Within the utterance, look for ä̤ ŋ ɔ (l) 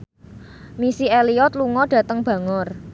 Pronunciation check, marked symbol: incorrect: r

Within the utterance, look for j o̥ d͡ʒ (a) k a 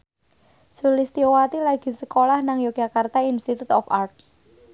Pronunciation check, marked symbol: correct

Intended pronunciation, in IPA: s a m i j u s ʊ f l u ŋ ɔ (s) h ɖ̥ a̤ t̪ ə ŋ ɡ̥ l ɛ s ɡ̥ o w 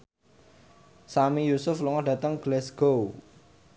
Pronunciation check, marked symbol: incorrect: none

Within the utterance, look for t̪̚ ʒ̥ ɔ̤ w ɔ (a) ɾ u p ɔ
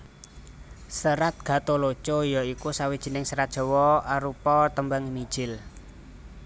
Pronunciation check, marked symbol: correct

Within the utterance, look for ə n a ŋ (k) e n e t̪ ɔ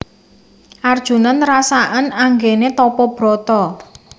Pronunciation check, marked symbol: incorrect: ɡ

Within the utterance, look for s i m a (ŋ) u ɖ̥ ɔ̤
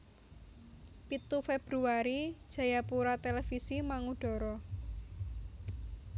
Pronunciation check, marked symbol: correct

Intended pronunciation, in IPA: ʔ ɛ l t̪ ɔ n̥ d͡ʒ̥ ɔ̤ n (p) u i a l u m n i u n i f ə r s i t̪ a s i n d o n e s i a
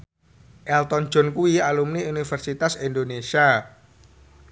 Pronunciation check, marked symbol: incorrect: k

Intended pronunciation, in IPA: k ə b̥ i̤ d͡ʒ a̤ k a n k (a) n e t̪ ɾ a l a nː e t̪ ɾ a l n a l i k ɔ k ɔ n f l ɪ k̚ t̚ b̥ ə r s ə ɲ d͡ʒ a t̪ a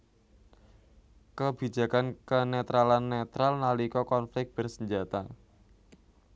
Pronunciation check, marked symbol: incorrect: ə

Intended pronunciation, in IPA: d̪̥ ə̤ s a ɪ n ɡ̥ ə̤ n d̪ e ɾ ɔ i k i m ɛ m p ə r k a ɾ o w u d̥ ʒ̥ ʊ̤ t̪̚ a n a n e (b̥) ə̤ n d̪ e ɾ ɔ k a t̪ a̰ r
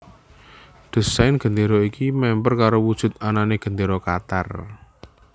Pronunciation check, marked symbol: incorrect: ɡ̥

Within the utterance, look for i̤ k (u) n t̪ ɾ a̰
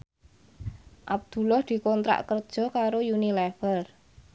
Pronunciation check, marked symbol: incorrect: ɔ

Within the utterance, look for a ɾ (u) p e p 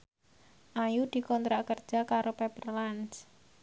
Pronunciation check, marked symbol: incorrect: o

